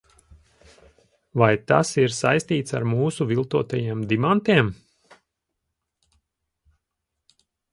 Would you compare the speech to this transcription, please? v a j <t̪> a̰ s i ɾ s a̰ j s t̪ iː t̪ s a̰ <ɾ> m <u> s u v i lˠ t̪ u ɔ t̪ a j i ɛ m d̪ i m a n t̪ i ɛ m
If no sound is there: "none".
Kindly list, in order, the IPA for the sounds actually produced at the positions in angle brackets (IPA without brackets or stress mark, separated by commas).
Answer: t̪, ɾ, uː